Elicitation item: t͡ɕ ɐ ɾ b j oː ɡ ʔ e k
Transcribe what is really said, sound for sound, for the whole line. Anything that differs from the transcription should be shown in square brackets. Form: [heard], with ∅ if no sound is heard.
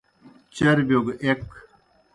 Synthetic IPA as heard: t͡ɕ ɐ ɾ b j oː ɡ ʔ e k